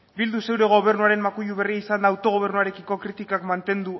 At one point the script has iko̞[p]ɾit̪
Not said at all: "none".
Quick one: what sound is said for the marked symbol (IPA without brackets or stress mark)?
k